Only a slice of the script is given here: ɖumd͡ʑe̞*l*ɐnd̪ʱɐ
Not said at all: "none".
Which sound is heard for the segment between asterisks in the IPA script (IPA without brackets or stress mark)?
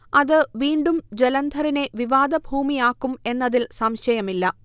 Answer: l